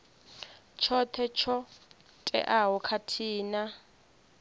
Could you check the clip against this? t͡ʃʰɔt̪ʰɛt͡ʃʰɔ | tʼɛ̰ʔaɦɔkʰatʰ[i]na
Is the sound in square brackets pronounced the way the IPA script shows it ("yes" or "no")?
no